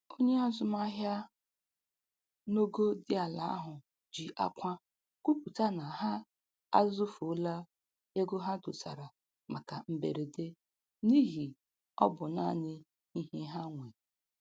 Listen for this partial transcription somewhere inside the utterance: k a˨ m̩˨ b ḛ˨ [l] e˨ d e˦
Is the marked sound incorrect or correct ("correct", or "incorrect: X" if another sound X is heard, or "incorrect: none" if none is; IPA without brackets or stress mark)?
incorrect: ɾ